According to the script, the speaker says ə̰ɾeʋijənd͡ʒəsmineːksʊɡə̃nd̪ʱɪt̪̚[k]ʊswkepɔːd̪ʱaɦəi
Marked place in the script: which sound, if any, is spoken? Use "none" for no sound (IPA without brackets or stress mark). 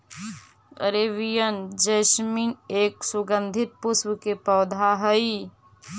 p